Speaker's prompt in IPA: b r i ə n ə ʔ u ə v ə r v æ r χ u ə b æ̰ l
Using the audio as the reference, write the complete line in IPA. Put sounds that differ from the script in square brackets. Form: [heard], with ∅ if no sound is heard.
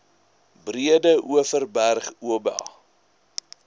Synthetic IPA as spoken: b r i ə [d] ə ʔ u ə [f] ə r [b] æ r χ u ə b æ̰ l